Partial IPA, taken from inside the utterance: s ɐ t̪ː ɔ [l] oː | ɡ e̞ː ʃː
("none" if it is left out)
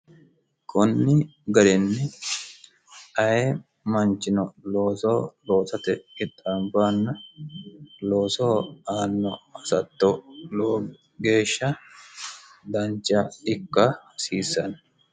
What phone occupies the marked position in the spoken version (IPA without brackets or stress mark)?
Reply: l